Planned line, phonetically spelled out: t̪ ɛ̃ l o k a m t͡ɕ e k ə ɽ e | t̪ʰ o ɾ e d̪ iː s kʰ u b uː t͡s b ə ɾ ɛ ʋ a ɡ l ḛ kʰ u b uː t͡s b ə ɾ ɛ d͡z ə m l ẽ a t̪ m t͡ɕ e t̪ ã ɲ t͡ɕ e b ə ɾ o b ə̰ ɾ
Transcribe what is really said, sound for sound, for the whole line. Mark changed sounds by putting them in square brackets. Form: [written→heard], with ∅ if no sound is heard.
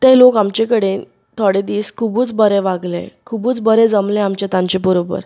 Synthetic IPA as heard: t̪ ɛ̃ l o k a m t͡ɕ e k ə ɽ e | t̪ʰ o [ɾ→ɽ] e d̪ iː s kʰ u b uː t͡s b ə ɾ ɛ ʋ a ɡ l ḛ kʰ u b uː t͡s b ə ɾ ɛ d͡z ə m l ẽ a [t̪→∅] m t͡ɕ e t̪ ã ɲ t͡ɕ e b ə ɾ o b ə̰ ɾ